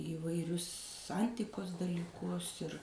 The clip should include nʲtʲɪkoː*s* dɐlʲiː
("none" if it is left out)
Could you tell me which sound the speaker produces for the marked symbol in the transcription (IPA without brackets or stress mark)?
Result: s